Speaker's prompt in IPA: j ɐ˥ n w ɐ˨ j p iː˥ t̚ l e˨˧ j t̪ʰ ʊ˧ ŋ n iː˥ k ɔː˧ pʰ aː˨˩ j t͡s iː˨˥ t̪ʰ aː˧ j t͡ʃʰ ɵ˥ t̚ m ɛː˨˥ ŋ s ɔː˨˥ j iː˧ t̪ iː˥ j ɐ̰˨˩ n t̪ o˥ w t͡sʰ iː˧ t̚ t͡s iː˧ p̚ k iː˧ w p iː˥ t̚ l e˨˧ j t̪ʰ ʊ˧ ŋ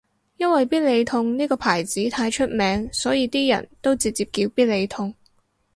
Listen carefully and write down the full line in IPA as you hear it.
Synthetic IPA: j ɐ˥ n w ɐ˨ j p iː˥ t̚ l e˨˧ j t̪ʰ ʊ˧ ŋ n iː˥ k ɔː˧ pʰ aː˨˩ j t͡s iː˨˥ t̪ʰ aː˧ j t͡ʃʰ ɵ˥ t̚ m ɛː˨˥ ŋ s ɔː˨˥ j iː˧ t̪ iː˥ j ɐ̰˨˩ n t̪ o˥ w t͡s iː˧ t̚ t͡s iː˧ p̚ k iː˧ w p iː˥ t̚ l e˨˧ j t̪ʰ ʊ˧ ŋ